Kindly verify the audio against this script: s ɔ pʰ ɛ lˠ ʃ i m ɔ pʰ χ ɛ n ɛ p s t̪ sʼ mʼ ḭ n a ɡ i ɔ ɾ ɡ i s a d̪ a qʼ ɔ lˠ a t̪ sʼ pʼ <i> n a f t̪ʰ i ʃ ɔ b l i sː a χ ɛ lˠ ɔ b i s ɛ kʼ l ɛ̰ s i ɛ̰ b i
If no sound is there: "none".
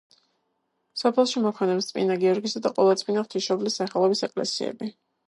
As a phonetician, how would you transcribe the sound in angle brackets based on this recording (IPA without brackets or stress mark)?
i